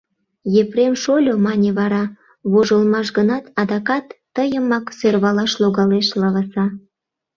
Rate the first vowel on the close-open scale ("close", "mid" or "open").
mid